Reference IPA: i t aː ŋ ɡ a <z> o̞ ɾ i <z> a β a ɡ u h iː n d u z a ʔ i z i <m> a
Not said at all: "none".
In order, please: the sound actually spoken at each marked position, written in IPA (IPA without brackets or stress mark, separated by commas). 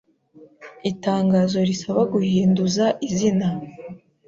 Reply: z, s, n